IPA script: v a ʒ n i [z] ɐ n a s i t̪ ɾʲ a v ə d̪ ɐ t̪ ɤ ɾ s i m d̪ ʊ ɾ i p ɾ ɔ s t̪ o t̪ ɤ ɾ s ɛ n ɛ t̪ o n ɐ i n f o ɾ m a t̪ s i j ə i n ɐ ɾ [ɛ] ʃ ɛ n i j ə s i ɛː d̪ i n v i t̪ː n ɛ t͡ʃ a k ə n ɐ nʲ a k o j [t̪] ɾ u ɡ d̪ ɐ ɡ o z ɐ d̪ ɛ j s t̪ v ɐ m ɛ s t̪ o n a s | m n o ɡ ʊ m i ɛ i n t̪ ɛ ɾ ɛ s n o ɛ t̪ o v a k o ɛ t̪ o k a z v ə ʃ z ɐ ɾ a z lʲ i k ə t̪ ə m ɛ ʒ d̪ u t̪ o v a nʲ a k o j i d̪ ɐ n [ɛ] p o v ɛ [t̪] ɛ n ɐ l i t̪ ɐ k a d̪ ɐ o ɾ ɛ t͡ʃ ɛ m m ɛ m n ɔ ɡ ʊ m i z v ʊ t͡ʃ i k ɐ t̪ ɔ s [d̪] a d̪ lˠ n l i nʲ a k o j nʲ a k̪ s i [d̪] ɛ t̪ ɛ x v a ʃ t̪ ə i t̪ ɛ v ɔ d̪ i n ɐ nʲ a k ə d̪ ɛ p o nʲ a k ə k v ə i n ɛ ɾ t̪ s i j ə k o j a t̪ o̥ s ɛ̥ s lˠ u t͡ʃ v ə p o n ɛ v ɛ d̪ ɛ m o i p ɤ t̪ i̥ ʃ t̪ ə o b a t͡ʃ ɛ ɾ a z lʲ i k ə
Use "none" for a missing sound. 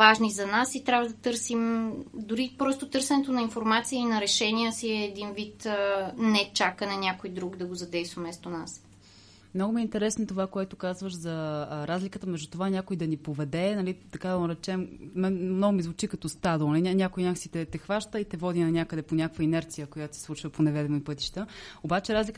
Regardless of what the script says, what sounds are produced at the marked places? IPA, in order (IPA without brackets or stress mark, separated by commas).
z, ɛ, d̪, i, d̪, t̪, t̪